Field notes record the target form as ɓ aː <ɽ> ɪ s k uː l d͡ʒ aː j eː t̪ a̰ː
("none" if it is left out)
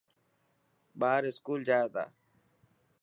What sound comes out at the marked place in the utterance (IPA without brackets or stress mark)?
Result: ɾ